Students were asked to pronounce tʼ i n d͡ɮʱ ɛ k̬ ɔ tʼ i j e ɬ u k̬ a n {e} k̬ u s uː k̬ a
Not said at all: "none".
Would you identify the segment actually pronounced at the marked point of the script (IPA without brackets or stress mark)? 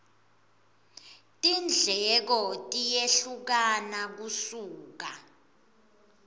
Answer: a